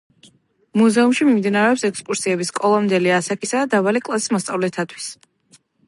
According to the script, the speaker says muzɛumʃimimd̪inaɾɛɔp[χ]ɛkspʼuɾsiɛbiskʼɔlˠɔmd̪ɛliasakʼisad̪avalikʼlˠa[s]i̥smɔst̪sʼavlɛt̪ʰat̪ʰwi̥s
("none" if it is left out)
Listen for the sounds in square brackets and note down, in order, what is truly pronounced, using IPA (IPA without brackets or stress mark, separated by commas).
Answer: s, s